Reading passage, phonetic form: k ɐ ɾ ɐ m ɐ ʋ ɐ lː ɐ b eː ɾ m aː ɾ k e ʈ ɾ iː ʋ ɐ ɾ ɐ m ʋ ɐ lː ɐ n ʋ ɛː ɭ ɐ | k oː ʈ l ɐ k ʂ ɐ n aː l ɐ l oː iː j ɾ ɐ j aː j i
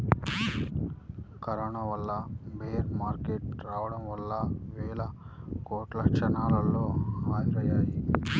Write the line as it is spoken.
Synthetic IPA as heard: k ɐ ɾ ɐ ɳ ɐ ʋ ɐ lː ɐ b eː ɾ m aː ɾ k e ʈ ɾ aː ʋ ɐ ɽ ɐ m ʋ ɐ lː ɐ ʋ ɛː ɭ ɐ | k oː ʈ l ɐ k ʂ ɐ n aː l ɐ l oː aː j ɾ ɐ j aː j i